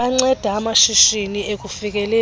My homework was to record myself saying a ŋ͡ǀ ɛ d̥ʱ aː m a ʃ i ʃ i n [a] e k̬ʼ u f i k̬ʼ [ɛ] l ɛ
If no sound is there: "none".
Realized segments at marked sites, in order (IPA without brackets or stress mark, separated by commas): i, ɛ